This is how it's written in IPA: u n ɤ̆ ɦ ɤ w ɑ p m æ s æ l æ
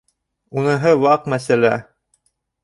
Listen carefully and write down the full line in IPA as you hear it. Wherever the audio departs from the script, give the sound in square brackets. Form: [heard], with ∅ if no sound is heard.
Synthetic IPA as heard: u n ɤ̆ ɦ ɤ w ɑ [q] m æ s æ l æ